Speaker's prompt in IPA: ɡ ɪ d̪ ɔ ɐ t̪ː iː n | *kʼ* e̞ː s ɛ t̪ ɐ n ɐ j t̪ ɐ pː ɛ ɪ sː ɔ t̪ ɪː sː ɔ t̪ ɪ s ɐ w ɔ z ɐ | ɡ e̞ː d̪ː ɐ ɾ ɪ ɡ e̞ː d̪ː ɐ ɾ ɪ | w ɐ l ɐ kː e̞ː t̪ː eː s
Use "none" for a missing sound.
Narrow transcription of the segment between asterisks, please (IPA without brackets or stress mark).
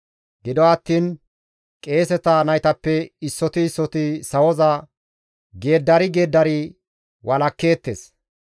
kʼ